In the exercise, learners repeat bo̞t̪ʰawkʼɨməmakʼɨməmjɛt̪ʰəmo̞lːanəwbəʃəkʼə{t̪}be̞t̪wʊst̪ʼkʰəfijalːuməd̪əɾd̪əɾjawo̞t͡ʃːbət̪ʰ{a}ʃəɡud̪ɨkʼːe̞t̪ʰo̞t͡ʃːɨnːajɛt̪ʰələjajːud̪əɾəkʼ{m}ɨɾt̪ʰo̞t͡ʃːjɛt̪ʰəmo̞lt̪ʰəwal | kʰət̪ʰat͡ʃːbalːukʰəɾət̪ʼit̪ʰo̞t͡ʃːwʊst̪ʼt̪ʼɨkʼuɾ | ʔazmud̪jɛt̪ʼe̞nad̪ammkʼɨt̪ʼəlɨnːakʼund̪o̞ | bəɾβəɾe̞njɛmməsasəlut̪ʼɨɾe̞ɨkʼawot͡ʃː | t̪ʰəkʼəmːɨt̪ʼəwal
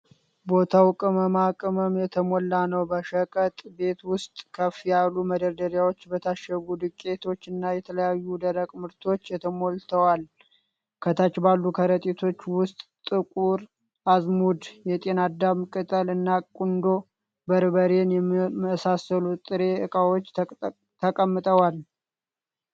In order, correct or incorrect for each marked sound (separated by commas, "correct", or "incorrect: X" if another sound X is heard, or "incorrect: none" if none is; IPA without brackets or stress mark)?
incorrect: t̪ʼ, correct, correct